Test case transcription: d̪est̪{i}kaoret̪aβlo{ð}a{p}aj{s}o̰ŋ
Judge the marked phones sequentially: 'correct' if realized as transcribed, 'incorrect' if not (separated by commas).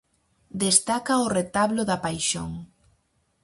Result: incorrect, correct, correct, incorrect